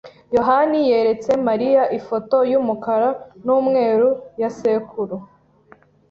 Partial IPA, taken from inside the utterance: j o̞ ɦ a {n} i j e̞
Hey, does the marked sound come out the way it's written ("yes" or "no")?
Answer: yes